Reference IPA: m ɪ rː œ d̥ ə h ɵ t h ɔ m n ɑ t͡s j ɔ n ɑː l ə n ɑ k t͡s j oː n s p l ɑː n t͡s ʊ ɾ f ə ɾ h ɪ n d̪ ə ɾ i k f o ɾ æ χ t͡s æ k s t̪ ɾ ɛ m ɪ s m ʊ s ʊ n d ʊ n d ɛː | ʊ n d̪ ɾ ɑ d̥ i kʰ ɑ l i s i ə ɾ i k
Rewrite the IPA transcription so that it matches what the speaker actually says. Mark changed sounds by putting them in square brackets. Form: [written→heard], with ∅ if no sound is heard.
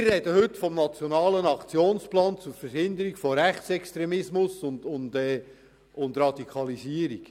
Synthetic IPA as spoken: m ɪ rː [œ→ɛ] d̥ ə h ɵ t [h→f] ɔ m n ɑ t͡s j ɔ n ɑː l ə n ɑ k t͡s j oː n s p l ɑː n t͡s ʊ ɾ f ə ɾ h ɪ n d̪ ə ɾ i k f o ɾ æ χ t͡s [æ→ɛ] k s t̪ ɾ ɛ m ɪ s m ʊ s ʊ n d ʊ n d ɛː | ʊ n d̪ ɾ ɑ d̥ i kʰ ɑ l i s i ə ɾ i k

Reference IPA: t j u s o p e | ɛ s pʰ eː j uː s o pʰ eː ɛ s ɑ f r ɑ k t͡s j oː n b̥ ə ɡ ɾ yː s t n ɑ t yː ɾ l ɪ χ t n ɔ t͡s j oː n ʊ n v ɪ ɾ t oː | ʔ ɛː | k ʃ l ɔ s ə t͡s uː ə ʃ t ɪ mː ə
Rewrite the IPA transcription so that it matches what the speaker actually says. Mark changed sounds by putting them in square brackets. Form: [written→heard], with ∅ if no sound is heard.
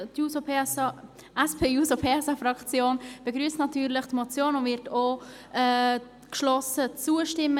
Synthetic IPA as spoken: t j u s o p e | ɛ s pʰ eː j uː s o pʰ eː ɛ s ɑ f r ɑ k t͡s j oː n b̥ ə ɡ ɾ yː s t n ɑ t yː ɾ l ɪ χ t [n→m] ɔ t͡s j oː n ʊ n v ɪ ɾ t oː | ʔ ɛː | k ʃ l ɔ s ə t͡s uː ə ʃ t ɪ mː ə

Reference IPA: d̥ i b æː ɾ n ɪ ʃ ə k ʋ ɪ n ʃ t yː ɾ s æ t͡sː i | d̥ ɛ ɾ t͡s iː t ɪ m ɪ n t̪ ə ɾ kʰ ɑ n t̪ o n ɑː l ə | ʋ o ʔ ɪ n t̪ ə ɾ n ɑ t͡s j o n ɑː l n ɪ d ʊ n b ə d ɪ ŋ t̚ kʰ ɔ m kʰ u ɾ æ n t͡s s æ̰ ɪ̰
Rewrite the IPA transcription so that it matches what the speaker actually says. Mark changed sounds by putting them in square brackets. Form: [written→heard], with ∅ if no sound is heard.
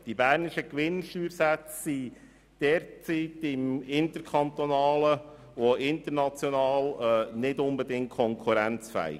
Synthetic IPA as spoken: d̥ i b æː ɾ n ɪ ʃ ə k ʋ ɪ n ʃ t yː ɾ s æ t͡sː i | d̥ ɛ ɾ t͡s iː t ɪ m ɪ n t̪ ə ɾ kʰ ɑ n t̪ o n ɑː l ə | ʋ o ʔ ɪ n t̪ ə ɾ n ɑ t͡s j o n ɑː l n ɪ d ʊ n b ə d ɪ ŋ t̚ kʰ ɔ [m→ŋ] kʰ u ɾ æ n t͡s [s→f] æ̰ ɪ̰

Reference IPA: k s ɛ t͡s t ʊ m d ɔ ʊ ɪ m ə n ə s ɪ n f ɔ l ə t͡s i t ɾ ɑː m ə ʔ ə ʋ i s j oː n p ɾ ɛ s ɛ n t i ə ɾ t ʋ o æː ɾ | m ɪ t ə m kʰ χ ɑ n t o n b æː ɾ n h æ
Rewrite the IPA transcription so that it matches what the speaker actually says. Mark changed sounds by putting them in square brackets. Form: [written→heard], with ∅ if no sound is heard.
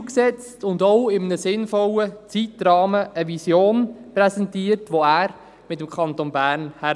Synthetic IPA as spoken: k s ɛ t͡s t ʊ [m→n] d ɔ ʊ ɪ m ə n ə s ɪ n f ɔ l ə t͡s i t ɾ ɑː m ə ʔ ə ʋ i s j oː n p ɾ ɛ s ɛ n t i ə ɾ t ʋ o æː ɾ | m ɪ t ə m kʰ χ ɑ n t o n b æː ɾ n h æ

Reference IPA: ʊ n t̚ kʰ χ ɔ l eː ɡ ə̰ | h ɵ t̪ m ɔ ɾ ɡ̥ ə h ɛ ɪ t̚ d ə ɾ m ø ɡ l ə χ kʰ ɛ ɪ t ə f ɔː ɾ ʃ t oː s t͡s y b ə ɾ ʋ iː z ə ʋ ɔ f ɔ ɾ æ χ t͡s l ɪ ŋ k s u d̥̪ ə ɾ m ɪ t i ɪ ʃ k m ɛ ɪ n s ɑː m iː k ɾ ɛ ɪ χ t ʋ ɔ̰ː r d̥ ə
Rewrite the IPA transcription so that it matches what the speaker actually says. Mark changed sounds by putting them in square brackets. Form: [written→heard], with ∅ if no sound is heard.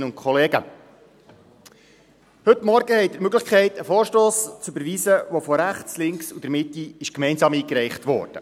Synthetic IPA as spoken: ʊ n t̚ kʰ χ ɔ l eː ɡ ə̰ | h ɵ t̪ m ɔ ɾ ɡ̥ ə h ɛ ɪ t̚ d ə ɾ m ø ɡ l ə χ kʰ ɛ ɪ t ə f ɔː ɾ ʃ t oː s t͡s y b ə ɾ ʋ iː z ə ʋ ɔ f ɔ ɾ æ χ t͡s l ɪ ŋ k s u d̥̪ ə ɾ m ɪ t i ɪ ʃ k m ɛ ɪ n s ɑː m iː k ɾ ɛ ɪ χ t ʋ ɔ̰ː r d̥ ə

